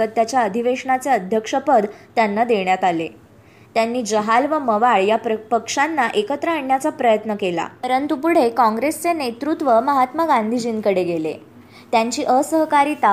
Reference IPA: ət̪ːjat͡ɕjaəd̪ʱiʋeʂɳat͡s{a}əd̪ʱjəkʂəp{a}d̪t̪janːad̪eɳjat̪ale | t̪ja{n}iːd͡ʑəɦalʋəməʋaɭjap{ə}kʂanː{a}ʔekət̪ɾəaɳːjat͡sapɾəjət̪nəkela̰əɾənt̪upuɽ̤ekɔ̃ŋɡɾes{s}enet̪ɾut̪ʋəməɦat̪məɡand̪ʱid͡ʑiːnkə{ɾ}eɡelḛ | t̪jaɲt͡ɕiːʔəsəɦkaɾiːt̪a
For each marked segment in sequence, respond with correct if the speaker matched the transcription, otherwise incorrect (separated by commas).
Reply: incorrect, incorrect, incorrect, correct, correct, incorrect, incorrect